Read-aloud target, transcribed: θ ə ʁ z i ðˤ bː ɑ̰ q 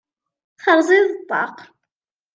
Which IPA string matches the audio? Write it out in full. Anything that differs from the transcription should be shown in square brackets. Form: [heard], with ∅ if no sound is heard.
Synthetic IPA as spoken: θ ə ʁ z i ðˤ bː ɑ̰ q